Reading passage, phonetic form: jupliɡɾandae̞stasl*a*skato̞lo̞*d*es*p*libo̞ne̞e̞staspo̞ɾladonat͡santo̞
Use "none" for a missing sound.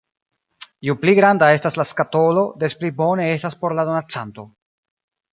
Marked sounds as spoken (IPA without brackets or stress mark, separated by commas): a, d, p